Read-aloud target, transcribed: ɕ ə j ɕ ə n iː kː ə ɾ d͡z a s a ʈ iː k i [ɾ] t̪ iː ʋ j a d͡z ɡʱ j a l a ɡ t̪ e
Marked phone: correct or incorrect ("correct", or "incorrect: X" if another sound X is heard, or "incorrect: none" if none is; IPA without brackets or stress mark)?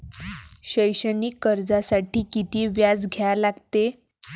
incorrect: none